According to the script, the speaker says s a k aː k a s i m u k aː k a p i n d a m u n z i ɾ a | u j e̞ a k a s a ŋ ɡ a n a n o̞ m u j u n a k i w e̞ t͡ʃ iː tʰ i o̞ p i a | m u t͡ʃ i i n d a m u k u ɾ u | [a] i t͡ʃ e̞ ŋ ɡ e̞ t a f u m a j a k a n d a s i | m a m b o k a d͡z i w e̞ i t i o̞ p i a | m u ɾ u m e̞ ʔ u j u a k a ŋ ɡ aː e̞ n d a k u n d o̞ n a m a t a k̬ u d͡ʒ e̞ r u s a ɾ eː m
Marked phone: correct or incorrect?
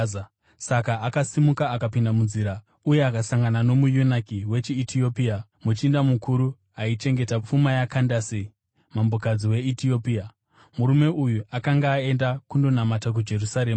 correct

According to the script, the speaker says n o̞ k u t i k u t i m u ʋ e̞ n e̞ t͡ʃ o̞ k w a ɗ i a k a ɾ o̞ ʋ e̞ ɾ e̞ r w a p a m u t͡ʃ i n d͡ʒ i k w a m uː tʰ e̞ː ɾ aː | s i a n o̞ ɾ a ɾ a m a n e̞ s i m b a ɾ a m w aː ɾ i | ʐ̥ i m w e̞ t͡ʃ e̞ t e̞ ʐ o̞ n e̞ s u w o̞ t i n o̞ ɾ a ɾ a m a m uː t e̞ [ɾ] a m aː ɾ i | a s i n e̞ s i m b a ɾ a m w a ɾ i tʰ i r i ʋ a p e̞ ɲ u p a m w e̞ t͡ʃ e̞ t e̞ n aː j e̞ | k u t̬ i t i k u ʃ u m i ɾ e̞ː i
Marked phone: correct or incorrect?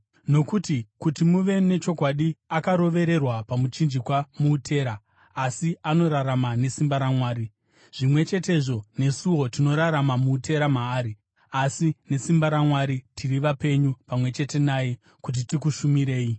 correct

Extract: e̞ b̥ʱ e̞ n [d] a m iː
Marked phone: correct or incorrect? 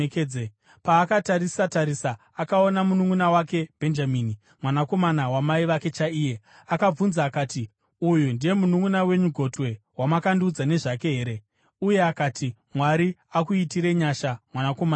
incorrect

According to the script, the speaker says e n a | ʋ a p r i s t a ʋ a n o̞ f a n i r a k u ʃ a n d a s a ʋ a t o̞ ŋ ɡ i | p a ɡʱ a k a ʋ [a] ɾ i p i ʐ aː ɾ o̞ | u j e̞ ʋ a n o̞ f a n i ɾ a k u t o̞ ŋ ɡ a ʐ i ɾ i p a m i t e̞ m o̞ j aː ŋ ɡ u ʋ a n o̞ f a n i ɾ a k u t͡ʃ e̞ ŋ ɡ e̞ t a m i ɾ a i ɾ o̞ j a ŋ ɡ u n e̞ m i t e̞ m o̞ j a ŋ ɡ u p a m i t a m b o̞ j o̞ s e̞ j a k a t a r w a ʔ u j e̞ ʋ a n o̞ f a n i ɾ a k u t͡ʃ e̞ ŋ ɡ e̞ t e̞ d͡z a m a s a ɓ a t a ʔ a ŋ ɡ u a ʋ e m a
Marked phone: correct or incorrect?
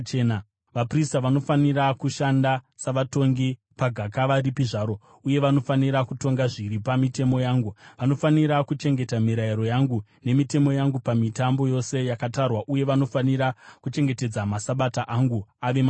correct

